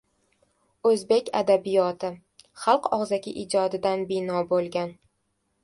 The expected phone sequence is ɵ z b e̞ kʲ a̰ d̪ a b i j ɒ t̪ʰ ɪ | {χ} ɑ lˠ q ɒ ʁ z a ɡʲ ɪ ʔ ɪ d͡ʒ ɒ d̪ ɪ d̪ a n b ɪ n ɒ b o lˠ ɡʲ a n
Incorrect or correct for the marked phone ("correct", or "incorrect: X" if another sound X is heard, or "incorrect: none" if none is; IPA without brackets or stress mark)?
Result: correct